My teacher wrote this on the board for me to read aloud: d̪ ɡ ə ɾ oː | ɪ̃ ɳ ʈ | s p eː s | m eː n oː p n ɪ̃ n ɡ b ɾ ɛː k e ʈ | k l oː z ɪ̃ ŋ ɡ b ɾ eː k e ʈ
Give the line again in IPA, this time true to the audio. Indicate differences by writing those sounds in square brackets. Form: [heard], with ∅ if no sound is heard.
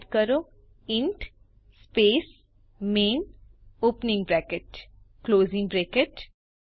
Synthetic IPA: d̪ [k] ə ɾ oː | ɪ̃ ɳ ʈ | s p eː s | m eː n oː p n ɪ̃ [ŋ] ɡ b ɾ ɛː k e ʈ | k l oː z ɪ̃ ŋ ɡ b ɾ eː k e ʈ

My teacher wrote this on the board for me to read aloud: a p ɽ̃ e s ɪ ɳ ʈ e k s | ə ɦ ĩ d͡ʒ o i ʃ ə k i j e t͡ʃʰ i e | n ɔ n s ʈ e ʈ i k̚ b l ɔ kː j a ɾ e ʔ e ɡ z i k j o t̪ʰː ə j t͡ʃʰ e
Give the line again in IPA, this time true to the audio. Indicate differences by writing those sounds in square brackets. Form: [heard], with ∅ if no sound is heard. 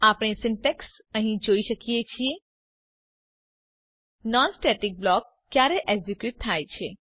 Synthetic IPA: a p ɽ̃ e s ɪ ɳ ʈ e k s | ə ɦ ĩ d͡ʒ o i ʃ ə k i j e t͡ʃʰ i e | n ɔ n s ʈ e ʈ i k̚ b l ɔ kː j a ɾ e ʔ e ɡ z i k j [u] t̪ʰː [a] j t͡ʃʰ e

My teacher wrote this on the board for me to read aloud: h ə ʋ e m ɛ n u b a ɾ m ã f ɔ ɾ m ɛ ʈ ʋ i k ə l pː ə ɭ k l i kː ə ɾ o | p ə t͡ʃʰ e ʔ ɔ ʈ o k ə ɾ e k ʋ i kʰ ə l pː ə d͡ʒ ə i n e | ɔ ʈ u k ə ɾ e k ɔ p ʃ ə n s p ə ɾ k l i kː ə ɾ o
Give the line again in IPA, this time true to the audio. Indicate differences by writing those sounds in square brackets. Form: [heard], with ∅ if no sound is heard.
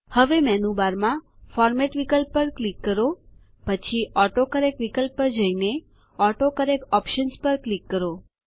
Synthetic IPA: h ə ʋ e m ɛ n u b a ɾ m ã f ɔ ɾ m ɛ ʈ ʋ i k ə l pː ə [ɾ] k l i kː ə ɾ o | p ə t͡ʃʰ [i] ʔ ɔ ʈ o k ə ɾ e k ʋ i [k] ə l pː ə d͡ʒ ə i n e | ɔ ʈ [o] k ə ɾ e k ɔ p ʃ ə n s p ə ɾ k l i kː ə ɾ o

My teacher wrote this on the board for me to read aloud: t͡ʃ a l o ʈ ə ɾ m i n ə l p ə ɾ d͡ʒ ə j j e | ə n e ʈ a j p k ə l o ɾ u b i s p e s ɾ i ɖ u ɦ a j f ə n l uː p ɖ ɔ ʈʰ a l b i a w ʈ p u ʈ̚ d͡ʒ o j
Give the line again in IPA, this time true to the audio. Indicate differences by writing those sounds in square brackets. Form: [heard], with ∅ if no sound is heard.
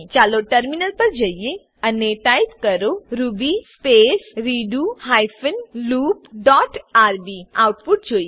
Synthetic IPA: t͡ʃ a l o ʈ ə ɾ m i n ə l p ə ɾ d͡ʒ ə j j e | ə n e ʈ a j p k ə [ɾ] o ɾ u b i s p e s ɾ i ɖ u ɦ a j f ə n l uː p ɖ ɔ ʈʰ a [ɾ] b i a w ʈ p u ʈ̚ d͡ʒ o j

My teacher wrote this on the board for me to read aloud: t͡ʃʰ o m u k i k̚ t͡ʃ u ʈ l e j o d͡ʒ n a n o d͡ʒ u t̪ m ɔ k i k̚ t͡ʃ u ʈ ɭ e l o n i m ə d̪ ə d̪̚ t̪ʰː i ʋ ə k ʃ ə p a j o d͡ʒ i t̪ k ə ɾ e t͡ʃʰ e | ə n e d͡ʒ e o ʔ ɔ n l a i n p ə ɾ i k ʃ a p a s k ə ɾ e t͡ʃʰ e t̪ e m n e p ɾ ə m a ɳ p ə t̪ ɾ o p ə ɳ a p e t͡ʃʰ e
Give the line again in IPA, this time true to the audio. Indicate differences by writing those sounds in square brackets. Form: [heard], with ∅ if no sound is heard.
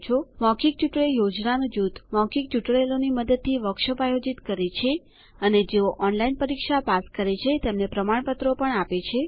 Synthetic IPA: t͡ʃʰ o m [ɔ] k i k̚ t͡ʃ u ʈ [ɭ] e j o d͡ʒ n a n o d͡ʒ u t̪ m ɔ k i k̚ t͡ʃ u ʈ ɭ e l o n i m ə d̪ ə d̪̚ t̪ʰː i ʋ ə k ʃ ə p a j o d͡ʒ i t̪ k ə ɾ e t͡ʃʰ e | ə n e d͡ʒ e o ʔ ɔ n l a i n p ə ɾ i k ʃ a p a s k ə ɾ e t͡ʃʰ e t̪ e m n e p ɾ ə m a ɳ p ə t̪ ɾ o p ə ɳ a p e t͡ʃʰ e

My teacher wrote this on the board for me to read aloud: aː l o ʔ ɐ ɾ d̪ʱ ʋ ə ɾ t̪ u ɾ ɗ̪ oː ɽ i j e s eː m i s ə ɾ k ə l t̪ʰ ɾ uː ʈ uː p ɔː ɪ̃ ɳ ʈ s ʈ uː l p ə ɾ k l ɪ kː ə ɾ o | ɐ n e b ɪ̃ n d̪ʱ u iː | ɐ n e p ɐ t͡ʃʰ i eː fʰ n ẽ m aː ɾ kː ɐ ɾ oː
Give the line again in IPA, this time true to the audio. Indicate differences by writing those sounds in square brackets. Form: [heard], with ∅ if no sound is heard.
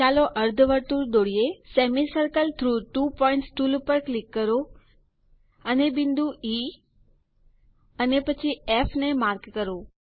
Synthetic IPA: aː l o ʔ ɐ ɾ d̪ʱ ʋ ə ɾ t̪ u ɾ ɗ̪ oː ɽ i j e s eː m i s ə ɾ k ə l t̪ʰ ɾ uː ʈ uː p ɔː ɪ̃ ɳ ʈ s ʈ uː l p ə ɾ k l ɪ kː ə ɾ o | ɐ n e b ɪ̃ n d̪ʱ u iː | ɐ n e p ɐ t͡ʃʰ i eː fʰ n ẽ m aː ɾ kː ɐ ɾ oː

